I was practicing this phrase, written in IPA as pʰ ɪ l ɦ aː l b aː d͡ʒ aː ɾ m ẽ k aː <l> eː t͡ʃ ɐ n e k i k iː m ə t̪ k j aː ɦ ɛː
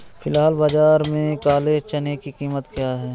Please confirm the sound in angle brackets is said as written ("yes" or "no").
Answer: yes